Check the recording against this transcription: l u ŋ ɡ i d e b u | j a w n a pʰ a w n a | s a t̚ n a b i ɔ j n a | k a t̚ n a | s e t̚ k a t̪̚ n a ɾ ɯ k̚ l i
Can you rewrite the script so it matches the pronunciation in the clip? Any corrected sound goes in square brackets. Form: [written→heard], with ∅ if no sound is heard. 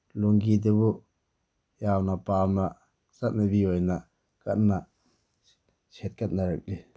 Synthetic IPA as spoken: l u ŋ ɡ i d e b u | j a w n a [pʰ→p] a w n a | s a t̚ n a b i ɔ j n a | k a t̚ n a | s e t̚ k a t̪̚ n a ɾ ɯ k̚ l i